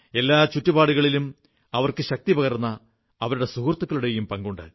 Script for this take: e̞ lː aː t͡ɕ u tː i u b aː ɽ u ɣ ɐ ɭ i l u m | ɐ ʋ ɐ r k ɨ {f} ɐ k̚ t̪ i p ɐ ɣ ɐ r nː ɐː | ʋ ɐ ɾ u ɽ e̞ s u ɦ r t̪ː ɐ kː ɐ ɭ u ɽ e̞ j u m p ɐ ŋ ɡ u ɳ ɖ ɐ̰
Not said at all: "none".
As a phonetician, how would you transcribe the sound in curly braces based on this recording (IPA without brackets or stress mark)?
ɕ